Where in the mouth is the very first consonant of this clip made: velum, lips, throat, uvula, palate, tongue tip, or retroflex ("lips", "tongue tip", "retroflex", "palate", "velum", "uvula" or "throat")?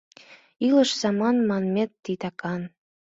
tongue tip